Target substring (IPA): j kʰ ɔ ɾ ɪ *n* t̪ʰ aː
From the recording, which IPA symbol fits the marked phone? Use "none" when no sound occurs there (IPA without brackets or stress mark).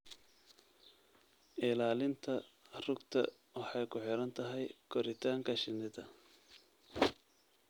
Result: none